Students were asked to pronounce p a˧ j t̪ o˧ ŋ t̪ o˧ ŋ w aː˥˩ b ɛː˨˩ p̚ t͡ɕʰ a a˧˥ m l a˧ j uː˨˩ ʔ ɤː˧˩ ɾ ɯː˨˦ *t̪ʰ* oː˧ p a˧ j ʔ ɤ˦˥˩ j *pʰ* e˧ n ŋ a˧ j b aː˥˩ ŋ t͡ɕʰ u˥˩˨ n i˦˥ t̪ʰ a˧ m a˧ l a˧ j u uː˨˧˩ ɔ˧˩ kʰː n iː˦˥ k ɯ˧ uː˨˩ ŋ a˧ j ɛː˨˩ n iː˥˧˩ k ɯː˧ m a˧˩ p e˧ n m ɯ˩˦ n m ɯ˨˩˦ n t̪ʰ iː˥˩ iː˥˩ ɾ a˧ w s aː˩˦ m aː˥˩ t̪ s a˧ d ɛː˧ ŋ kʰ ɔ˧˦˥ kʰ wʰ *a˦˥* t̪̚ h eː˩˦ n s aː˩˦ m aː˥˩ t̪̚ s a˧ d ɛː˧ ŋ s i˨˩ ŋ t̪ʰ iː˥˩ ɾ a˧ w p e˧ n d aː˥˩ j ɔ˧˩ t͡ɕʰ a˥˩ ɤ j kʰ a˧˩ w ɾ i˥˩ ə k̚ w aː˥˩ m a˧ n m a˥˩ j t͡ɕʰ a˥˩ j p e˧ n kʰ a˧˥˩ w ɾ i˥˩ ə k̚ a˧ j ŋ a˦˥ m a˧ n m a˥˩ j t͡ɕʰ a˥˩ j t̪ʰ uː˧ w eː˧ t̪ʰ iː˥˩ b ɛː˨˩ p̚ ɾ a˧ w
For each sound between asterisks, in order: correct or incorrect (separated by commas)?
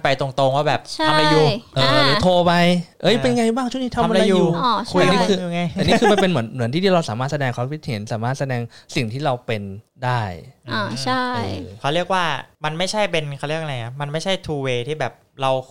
correct, incorrect, incorrect